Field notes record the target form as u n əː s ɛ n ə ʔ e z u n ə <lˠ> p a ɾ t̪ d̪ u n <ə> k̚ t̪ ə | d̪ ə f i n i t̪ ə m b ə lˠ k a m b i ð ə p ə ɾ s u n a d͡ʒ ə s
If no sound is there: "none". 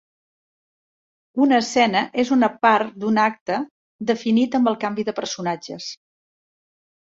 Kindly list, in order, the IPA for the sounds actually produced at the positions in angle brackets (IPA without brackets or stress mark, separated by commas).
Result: none, a